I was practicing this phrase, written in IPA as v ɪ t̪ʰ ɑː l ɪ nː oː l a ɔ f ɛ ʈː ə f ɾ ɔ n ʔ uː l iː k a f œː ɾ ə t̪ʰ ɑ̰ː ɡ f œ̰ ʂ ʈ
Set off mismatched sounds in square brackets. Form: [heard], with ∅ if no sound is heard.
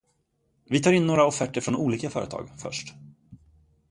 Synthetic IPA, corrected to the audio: v ɪ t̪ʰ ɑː [ɾ] ɪ nː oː [ɾ] a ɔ f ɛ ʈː ə f ɾ ɔ n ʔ uː l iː k a f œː ɾ ə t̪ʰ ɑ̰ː ɡ f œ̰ ʂ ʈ